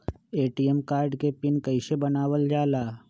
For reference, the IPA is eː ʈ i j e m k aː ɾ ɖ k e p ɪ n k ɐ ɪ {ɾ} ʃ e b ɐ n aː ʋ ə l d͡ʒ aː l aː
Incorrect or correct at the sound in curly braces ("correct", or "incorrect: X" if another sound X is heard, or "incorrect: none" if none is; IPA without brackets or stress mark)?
incorrect: none